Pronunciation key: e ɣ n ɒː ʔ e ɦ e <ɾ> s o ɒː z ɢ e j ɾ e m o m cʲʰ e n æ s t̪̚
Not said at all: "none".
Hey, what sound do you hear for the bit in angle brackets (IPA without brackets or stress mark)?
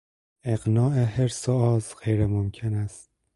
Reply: ɾ